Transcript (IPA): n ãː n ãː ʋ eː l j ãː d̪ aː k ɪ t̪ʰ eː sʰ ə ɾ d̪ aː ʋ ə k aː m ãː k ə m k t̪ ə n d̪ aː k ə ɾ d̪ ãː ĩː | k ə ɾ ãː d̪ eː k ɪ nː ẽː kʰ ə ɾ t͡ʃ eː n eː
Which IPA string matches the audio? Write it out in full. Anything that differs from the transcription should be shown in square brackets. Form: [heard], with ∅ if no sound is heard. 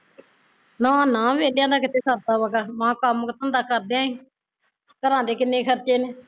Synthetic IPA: n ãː n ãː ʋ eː l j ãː d̪ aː k ɪ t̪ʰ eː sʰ ə ɾ [t̪] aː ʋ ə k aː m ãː k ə m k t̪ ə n d̪ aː k ə ɾ d̪ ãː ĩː | k ə ɾ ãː d̪ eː k ɪ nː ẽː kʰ ə ɾ t͡ʃ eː n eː